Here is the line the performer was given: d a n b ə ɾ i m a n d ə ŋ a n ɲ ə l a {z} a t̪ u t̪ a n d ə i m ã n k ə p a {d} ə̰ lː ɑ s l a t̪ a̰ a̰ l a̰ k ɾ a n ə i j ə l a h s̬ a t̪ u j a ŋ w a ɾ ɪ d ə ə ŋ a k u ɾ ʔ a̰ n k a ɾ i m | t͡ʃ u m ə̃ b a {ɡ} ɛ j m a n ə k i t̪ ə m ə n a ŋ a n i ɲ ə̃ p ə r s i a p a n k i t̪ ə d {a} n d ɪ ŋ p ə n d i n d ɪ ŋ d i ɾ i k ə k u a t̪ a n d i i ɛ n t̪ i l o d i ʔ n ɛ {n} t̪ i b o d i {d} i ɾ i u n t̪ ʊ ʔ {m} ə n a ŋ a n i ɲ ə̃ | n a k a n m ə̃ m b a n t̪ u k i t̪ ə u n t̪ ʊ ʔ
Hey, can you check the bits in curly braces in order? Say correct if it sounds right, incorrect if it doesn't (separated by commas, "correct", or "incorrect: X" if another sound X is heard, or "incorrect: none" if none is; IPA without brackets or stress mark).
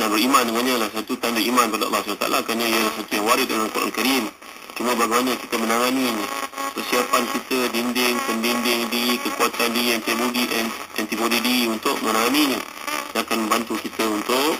incorrect: s, correct, correct, incorrect: i, correct, correct, correct